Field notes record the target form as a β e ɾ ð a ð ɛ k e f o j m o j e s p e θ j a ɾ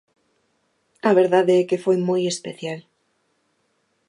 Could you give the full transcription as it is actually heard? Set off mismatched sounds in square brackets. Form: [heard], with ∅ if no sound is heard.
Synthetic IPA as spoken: a β e ɾ ð a ð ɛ k e f o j m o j e s p e θ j a [l]

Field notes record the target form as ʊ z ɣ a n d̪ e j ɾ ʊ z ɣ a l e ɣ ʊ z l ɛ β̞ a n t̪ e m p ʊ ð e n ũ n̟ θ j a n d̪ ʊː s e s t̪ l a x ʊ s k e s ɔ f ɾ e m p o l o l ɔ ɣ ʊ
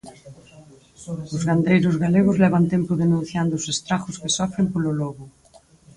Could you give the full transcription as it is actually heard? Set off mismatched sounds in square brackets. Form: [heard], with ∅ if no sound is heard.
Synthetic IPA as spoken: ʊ z ɣ a n d̪ e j ɾ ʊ z ɣ a l e ɣ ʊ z l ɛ β̞ a n t̪ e m p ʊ ð e n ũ n̟ θ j a n d̪ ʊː s e s t̪ [ɾ] a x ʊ s k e s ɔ f ɾ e m p o l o l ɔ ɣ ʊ

